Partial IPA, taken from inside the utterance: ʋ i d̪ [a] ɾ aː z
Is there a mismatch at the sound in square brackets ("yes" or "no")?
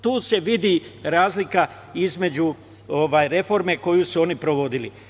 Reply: yes